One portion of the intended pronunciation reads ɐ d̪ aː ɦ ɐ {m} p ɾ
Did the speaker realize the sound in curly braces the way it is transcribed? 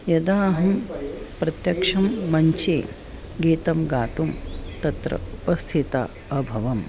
yes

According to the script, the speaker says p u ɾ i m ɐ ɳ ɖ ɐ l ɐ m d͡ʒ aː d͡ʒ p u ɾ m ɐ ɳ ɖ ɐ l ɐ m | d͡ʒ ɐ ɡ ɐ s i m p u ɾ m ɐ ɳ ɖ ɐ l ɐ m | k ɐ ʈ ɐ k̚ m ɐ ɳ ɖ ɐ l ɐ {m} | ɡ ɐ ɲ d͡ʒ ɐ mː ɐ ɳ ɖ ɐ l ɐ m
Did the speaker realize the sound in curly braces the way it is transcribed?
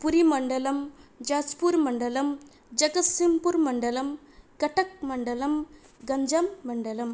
yes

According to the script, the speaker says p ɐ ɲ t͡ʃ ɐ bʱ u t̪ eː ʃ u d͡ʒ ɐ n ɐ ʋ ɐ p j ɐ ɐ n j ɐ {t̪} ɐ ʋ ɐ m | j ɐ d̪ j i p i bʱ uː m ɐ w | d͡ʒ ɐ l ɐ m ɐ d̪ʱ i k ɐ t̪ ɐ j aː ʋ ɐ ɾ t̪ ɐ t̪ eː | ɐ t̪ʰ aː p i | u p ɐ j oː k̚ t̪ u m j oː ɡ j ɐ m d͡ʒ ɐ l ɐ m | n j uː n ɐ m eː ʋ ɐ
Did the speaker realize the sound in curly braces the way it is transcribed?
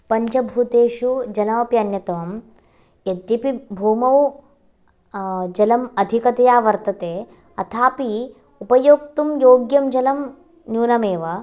yes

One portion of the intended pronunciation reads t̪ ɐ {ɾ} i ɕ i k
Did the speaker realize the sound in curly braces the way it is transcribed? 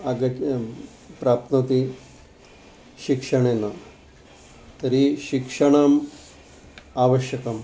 yes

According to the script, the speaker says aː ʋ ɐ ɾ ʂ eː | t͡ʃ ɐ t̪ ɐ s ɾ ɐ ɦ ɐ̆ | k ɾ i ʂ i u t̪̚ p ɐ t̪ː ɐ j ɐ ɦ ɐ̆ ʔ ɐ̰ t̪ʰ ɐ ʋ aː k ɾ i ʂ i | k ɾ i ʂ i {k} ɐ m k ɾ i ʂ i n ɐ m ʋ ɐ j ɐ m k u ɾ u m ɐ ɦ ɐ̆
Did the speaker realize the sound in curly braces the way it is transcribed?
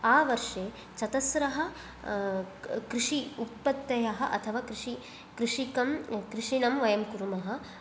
yes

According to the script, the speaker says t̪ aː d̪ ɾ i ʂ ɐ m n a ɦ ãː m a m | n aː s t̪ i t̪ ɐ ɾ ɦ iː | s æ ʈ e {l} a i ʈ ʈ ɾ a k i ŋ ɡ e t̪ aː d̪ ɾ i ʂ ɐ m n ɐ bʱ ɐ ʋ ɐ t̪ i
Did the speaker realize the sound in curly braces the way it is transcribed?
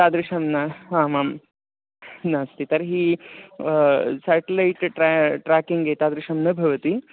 yes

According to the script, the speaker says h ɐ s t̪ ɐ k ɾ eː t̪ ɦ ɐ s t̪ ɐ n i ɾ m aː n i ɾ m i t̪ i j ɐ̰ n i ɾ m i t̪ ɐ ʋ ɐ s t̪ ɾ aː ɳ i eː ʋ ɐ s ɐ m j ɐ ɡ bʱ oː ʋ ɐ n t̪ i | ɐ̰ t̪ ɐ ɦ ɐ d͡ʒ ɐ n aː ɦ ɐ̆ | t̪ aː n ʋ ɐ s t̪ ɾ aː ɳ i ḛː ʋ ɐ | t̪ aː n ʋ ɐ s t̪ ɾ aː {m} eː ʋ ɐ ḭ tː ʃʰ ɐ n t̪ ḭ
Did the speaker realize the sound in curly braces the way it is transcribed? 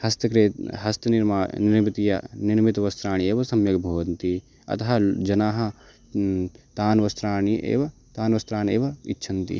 no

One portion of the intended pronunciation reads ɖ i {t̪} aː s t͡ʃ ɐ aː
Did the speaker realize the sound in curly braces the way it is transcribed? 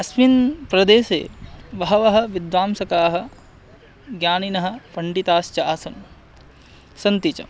yes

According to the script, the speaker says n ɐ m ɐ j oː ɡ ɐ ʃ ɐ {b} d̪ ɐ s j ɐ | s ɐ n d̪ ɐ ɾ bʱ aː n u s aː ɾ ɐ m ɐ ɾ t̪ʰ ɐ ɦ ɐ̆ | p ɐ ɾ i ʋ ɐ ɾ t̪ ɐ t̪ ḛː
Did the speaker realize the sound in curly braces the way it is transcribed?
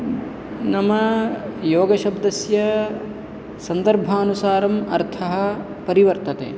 yes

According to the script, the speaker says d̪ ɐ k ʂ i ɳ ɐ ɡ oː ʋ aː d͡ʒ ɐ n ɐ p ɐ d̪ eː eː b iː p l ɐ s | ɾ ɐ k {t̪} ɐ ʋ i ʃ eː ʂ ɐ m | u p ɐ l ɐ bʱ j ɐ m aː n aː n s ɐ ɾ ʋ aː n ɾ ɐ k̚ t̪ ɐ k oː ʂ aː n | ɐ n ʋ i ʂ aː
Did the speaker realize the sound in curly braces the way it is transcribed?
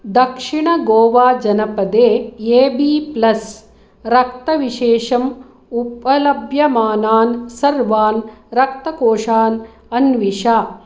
yes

